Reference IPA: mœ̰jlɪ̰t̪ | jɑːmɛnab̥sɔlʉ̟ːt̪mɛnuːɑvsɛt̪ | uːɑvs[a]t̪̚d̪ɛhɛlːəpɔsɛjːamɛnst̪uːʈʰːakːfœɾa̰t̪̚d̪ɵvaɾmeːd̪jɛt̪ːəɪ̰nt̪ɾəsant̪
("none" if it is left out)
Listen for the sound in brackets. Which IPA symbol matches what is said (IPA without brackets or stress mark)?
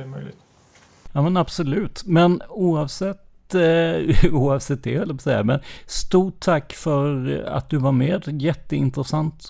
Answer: ɛ